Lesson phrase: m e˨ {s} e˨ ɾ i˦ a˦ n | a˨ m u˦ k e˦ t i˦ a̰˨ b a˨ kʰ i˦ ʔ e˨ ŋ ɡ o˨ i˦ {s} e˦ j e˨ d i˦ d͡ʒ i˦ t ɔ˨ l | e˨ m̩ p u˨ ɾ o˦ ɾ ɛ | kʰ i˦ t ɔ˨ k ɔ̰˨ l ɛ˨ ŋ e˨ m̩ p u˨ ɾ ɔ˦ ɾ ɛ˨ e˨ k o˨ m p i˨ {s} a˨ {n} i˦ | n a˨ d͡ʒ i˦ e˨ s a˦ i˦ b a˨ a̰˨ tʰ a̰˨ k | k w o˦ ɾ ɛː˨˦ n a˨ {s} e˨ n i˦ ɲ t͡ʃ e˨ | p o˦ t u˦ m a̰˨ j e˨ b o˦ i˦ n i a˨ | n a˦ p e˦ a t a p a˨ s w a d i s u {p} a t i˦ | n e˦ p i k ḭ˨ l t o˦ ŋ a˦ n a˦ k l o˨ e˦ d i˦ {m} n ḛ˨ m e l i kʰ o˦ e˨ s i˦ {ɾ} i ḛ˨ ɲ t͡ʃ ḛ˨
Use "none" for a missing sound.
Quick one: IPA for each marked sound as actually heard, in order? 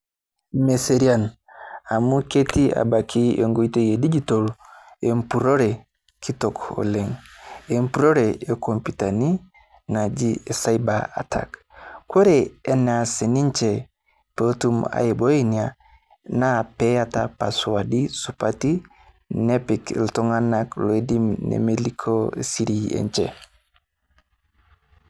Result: s, t, t, n, s, p, m, ɾ

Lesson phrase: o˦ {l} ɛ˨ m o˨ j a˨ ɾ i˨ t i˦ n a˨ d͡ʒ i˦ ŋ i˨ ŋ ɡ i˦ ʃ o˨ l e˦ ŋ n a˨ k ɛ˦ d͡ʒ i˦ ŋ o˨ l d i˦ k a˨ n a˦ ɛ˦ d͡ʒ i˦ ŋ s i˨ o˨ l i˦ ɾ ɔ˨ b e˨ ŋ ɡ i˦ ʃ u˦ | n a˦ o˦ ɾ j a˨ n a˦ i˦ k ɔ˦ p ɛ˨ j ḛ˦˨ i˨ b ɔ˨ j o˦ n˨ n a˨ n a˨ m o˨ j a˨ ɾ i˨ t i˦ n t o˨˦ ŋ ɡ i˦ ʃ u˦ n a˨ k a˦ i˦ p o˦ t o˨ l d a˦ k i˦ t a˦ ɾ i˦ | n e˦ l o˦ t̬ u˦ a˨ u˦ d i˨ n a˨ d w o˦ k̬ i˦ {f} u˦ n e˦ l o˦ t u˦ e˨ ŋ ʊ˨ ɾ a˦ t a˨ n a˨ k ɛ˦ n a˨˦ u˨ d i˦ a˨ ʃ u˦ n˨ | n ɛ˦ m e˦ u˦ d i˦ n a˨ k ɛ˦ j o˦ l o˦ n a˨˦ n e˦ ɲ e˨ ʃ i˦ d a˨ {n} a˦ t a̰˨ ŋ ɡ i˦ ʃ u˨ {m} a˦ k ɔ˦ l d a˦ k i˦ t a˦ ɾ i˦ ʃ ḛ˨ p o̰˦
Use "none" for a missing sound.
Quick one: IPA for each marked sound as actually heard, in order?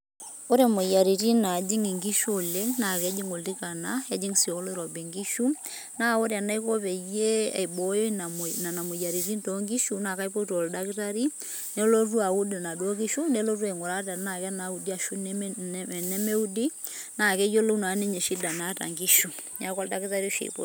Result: ɾ, ʃ, n, ɲ

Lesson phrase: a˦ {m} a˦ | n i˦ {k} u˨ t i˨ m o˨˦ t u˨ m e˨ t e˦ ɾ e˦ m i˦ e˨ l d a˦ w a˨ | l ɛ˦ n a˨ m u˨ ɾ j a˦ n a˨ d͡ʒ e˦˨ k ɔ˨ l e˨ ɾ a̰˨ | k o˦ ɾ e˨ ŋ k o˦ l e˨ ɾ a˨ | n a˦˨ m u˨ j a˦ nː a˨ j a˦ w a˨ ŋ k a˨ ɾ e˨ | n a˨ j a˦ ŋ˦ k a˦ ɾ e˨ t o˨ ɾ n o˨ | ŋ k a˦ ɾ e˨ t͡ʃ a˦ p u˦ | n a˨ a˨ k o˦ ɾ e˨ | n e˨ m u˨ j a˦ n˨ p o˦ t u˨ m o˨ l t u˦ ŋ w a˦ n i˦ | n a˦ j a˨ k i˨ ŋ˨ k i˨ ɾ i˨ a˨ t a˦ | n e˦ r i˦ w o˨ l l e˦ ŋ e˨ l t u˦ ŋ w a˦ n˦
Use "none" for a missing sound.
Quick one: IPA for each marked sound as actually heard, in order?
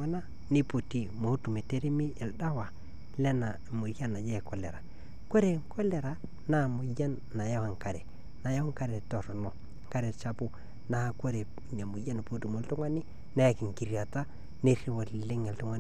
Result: n, p

